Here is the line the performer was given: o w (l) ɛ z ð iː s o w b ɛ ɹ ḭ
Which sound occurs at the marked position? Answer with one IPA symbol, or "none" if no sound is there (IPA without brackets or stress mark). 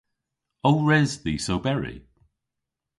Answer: ɹ